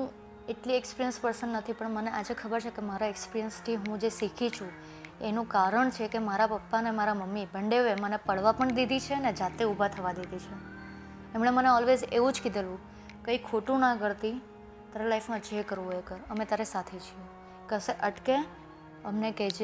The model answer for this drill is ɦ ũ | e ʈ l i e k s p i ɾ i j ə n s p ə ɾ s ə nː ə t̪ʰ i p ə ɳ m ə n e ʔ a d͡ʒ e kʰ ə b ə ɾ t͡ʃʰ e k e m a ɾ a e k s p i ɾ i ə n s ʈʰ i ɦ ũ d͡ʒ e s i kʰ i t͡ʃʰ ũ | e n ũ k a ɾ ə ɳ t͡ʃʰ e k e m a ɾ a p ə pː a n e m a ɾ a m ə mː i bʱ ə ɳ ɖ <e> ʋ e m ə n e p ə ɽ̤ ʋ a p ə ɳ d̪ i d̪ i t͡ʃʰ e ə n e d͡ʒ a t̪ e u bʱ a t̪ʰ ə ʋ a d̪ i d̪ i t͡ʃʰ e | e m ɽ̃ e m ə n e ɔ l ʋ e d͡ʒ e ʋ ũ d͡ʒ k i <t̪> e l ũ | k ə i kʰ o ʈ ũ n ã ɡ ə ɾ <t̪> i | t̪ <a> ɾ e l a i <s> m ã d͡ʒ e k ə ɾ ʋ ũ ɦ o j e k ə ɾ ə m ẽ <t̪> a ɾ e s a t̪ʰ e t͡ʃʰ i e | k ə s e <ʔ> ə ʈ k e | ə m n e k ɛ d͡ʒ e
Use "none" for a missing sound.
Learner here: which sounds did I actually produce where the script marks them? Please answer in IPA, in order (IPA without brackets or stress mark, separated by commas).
e, d̪, t̪, a, f, t̪, ʔ